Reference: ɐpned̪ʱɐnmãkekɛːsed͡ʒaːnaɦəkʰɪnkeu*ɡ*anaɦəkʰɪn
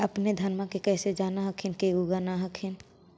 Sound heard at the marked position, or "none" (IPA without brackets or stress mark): ɡ